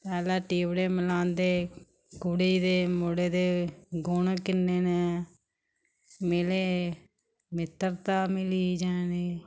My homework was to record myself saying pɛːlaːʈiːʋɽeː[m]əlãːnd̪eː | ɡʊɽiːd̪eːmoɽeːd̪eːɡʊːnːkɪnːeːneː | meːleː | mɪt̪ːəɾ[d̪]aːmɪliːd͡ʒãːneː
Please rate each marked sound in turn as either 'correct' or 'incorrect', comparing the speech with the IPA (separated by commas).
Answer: correct, incorrect